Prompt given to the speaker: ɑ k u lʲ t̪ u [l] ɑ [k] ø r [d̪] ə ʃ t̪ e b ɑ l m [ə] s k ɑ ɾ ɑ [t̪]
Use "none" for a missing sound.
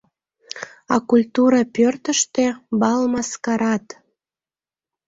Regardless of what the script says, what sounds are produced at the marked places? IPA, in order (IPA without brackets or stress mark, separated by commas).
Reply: ɾ, p, t̪, ɑ, t̪